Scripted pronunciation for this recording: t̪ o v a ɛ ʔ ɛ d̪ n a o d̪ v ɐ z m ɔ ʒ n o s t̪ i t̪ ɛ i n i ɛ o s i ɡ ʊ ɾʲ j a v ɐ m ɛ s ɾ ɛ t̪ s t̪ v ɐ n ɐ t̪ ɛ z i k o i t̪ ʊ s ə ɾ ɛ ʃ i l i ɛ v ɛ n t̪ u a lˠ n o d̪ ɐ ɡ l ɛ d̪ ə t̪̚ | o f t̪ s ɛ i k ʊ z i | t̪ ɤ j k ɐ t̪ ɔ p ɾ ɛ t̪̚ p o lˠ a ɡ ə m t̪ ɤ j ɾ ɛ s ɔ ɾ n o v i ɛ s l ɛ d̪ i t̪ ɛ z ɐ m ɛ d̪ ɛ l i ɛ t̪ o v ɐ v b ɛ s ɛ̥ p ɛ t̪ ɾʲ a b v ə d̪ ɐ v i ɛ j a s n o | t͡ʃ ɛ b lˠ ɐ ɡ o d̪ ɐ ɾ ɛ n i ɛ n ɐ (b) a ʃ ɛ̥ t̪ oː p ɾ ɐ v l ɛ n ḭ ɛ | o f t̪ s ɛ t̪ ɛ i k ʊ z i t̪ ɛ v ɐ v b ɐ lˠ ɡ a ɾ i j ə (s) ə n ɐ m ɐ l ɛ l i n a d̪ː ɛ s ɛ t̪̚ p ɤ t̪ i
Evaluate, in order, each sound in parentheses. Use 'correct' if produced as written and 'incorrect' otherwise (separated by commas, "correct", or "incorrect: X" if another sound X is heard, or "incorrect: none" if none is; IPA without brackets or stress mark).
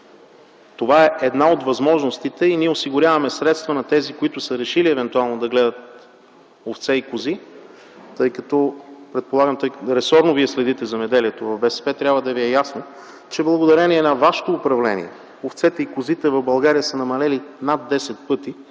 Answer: incorrect: v, correct